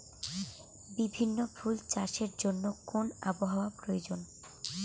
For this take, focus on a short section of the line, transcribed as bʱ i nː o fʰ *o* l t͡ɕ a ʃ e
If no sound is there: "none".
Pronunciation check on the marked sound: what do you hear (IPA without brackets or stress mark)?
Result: u